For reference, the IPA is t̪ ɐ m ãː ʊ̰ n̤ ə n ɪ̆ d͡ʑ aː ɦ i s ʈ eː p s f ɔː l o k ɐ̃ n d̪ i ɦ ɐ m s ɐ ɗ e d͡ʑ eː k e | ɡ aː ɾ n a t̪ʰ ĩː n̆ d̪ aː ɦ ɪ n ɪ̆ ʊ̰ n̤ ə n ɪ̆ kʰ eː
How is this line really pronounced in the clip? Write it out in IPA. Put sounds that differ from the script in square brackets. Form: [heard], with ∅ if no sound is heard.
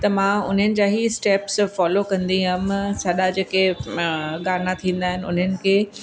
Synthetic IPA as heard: t̪ ɐ m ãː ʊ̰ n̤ ə n ɪ̆ d͡ʑ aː ɦ i s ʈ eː p s f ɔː l o k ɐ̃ n d̪ i ɦ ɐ m s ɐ ɗ [a] d͡ʑ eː k e | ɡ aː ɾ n a t̪ʰ ĩː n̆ d̪ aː ɦ ɪ n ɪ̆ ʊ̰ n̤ ə n ɪ̆ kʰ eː